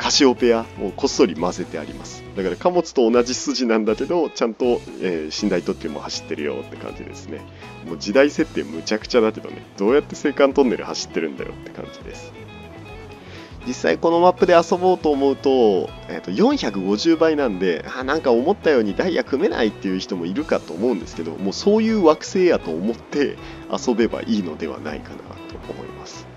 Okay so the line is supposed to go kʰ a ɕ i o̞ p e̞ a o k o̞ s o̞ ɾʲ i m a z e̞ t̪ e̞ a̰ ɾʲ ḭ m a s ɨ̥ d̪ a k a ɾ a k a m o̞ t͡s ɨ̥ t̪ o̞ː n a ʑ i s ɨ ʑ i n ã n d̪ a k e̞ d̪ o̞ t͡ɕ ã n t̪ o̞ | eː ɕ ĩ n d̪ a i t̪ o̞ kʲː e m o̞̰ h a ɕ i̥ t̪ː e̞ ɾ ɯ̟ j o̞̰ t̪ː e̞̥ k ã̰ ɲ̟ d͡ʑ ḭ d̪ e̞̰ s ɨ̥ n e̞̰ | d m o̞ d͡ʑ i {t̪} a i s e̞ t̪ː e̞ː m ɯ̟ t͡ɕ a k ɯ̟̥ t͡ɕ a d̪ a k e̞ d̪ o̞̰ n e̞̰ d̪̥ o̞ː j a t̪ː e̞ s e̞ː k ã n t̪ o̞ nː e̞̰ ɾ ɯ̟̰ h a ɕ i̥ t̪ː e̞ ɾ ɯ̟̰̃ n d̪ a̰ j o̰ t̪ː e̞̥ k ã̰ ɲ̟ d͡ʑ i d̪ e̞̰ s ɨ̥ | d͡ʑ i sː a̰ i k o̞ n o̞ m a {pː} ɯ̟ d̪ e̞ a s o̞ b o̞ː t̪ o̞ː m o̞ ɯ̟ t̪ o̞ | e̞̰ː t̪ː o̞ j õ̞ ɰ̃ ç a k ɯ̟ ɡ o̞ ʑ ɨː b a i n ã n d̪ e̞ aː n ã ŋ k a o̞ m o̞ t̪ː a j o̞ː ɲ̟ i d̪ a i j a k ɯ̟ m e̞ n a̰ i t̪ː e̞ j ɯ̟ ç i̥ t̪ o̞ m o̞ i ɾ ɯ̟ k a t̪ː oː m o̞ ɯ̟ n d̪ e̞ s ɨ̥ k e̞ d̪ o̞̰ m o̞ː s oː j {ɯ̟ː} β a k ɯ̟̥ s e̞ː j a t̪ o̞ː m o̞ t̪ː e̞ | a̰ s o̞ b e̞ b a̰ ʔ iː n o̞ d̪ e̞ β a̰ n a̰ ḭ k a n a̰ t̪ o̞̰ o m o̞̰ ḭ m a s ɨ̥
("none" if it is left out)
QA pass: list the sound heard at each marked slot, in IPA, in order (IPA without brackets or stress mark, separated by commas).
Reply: d̪, pː, ɯ̟ː